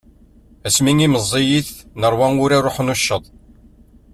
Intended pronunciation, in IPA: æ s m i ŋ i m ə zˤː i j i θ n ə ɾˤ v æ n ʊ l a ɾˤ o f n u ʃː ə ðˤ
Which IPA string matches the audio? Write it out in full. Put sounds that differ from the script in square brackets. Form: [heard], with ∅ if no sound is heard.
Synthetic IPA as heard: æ s m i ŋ i m ə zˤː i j i θ n ə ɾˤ [w] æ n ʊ [ɾ] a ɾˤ o [ħ] n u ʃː ə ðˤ